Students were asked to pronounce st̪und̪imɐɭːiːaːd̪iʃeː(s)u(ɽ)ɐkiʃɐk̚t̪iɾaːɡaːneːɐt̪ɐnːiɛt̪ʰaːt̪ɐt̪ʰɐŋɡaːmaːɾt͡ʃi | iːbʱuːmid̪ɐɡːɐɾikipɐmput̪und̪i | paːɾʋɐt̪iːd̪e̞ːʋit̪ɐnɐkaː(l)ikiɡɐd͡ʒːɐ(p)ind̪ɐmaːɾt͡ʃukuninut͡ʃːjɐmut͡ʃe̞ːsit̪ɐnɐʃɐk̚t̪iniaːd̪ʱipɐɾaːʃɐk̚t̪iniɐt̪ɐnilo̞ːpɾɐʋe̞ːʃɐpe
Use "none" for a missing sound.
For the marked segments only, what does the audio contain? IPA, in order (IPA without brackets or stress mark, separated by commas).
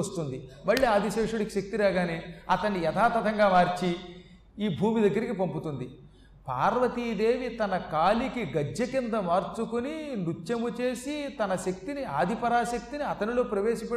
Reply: ʂ, ɽ, l, k